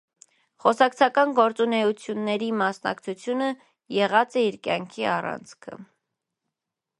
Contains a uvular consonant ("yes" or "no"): yes